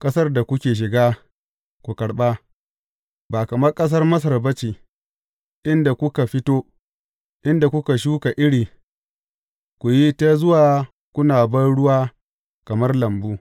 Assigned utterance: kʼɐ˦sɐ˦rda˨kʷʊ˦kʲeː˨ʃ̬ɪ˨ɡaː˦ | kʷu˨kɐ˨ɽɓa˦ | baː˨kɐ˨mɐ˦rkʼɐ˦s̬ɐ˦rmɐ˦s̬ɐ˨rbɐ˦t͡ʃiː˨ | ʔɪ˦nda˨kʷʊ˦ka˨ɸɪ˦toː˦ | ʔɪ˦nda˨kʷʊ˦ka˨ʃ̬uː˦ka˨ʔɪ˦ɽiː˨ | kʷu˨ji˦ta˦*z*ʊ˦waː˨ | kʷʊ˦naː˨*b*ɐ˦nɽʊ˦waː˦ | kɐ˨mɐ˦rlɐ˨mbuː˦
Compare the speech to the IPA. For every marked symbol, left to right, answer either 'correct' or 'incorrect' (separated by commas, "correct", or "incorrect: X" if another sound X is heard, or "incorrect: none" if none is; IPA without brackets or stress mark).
correct, correct